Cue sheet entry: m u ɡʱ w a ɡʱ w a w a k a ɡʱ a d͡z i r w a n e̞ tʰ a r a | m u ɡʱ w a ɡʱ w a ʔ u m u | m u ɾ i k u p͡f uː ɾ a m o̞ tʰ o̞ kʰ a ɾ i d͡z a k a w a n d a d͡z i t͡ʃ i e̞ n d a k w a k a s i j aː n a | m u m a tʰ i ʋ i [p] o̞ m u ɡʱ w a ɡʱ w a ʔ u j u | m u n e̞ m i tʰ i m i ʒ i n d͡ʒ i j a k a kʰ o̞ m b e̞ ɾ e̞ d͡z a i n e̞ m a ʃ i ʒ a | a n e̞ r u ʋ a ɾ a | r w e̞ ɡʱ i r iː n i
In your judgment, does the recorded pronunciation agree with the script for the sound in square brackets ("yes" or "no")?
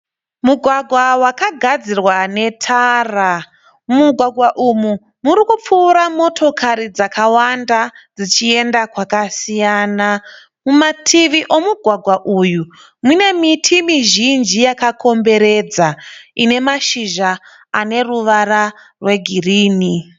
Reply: no